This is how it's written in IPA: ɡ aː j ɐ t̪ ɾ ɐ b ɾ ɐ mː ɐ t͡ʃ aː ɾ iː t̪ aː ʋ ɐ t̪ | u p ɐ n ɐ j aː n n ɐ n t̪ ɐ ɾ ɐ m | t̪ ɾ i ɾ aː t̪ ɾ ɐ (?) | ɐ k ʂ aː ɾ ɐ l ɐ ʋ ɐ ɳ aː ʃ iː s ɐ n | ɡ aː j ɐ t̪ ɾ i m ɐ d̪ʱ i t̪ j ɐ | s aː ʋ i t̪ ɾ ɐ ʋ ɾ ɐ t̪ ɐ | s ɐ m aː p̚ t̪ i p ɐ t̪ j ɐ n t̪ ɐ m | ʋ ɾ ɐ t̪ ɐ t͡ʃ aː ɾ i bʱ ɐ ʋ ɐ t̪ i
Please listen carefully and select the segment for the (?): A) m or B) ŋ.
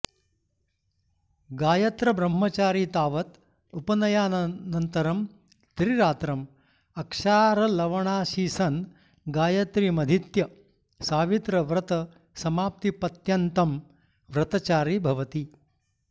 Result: A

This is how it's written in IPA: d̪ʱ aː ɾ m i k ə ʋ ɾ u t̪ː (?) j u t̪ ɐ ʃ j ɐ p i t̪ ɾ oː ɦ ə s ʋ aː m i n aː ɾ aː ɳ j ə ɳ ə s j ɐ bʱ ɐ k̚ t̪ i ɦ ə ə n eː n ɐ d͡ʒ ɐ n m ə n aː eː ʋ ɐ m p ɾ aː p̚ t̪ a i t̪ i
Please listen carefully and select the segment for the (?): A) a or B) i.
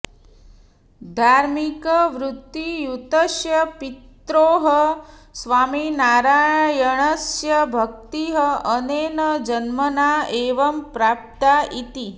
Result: B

